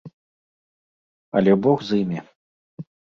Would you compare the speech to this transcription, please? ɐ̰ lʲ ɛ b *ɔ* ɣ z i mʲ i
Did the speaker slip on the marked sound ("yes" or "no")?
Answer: no